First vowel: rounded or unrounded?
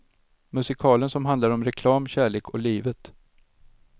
rounded